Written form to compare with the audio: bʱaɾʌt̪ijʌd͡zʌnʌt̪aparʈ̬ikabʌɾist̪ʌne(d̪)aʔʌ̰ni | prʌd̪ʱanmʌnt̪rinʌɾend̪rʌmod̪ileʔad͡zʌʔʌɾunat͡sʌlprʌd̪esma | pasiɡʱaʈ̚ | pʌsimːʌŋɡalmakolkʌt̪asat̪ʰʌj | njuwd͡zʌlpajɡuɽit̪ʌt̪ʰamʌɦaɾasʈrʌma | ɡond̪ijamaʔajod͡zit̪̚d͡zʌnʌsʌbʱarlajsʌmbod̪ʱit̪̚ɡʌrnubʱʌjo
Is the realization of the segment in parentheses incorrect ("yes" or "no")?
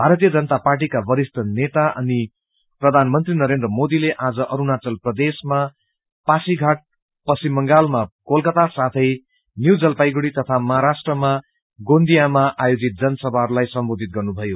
yes